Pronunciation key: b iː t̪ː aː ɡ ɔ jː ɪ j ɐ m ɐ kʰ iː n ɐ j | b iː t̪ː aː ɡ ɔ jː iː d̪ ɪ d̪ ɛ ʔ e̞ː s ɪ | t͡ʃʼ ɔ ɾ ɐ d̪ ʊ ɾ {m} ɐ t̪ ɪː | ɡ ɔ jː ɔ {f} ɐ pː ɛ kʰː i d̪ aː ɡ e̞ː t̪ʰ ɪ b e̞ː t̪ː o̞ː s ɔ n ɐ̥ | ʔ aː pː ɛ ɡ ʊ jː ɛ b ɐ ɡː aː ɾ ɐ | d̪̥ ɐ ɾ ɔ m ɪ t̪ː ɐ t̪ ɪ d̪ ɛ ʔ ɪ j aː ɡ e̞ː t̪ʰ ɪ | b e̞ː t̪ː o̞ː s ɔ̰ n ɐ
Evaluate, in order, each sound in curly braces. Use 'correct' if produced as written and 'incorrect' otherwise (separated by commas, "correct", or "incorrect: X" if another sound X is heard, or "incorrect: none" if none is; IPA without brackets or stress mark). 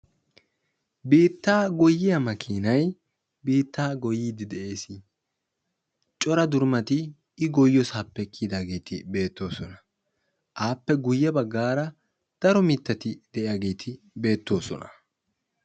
correct, incorrect: s